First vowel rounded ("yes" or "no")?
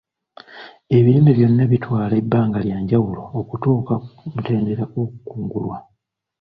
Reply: no